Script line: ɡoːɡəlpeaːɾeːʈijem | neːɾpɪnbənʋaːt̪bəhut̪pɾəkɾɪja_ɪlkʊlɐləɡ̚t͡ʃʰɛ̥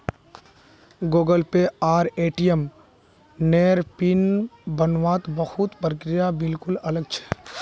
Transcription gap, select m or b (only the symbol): b